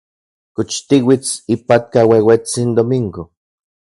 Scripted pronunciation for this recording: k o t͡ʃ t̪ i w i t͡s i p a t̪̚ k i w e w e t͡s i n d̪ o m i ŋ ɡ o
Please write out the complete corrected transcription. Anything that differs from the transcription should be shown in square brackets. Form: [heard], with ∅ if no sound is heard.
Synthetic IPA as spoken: k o t͡ʃ t̪ i w i t͡s i p a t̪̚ k [a] w e w e t͡s i n d̪ o m i ŋ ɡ o